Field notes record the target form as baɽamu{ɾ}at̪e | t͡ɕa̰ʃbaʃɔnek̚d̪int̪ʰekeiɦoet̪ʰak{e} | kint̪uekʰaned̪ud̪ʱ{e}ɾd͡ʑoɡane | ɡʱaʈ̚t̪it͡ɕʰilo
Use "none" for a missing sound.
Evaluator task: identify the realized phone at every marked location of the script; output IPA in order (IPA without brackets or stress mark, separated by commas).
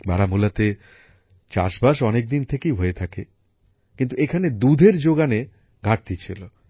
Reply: l, e, e